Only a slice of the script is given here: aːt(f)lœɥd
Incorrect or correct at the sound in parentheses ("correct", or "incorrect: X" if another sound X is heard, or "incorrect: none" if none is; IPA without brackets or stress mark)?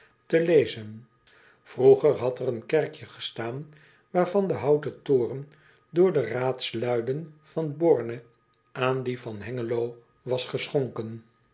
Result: incorrect: s